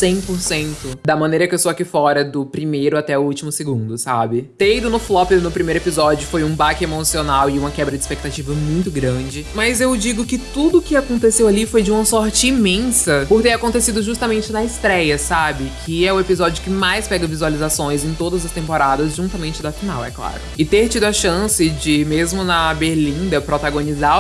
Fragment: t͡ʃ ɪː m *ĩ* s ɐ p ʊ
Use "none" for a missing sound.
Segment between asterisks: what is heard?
ẽ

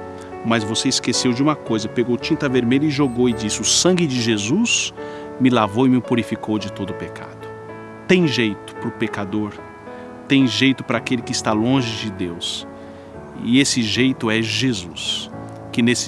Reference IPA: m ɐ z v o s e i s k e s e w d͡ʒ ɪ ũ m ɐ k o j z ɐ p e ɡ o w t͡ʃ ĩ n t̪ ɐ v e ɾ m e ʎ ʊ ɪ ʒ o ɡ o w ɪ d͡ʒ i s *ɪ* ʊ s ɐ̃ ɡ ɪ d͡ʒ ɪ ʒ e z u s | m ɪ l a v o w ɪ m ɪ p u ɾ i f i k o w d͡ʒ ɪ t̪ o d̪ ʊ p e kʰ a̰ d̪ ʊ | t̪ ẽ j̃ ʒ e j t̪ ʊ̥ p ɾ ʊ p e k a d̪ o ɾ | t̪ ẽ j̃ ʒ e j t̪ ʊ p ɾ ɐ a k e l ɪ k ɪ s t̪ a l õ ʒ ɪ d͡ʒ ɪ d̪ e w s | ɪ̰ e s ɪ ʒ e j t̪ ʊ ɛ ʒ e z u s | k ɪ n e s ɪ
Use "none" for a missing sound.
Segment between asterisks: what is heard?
ɪ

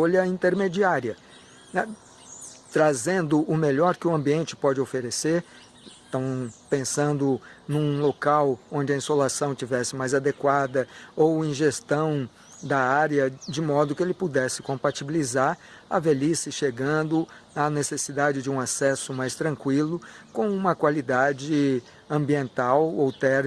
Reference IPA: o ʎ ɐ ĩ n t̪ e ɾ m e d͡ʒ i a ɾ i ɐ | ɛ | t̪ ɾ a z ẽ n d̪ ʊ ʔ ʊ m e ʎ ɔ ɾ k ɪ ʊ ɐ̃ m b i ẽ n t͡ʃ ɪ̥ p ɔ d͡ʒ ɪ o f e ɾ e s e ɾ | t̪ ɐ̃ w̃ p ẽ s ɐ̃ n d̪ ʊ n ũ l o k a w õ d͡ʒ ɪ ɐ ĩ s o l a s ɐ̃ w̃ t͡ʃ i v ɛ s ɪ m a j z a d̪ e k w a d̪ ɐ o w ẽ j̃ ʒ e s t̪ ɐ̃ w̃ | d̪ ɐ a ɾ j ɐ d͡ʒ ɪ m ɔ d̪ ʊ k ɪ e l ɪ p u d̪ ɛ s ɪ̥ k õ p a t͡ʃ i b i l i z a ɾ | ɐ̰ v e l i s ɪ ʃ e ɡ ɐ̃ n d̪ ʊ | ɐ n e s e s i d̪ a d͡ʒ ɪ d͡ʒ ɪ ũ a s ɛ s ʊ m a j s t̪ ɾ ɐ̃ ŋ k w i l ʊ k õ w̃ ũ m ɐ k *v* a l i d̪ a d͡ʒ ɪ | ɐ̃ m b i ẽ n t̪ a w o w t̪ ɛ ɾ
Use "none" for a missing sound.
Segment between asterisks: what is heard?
w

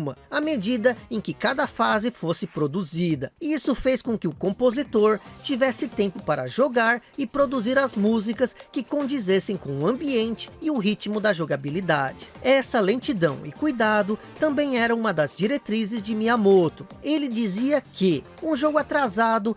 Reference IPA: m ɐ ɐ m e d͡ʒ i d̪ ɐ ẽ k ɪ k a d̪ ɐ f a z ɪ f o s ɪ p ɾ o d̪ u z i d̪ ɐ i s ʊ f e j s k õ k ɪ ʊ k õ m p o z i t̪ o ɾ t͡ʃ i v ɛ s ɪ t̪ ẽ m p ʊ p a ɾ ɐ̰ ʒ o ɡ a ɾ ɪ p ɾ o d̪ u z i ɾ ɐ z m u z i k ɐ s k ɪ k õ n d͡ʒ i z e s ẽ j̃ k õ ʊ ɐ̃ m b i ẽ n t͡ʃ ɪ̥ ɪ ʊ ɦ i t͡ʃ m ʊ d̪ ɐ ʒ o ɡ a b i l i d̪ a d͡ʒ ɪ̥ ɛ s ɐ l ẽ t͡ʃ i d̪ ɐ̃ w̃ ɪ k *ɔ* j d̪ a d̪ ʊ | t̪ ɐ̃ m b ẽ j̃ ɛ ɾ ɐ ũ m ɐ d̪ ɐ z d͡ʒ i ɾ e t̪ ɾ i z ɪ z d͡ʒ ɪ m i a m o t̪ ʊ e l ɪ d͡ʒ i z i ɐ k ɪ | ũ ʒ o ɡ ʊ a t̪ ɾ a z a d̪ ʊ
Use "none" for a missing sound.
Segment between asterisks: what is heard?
u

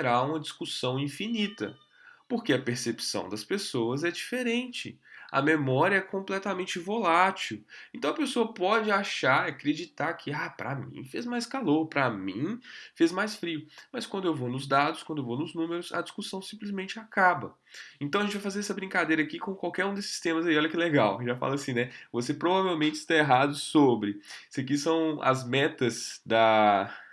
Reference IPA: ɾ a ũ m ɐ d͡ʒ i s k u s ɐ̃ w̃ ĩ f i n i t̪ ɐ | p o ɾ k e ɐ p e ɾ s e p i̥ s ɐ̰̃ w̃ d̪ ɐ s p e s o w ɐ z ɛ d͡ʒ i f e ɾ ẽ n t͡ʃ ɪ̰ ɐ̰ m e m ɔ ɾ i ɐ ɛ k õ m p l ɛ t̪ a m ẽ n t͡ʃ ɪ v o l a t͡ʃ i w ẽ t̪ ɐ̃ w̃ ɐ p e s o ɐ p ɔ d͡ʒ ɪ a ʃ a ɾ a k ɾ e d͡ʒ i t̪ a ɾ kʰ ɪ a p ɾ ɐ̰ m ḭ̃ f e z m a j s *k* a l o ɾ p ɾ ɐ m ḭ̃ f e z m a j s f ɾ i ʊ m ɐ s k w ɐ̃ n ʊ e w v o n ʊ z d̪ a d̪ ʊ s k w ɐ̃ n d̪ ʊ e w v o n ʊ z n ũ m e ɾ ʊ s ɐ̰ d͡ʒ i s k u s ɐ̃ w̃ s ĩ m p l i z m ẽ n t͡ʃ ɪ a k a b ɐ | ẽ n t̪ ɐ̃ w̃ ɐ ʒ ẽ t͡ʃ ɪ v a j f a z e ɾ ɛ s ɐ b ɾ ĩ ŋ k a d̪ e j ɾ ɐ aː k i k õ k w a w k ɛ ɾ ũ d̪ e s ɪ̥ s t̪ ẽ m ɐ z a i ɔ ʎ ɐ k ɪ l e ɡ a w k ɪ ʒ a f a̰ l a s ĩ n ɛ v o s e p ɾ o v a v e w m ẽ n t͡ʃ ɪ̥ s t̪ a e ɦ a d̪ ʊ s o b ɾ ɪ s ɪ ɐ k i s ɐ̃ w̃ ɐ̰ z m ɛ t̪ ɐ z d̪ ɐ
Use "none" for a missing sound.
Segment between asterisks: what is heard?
k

